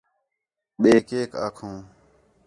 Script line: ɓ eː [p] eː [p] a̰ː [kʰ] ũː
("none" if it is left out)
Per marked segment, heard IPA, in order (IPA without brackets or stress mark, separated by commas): k, k, kʰ